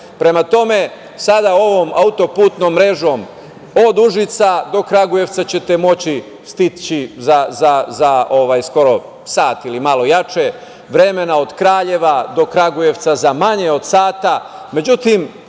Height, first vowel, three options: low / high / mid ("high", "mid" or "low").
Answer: mid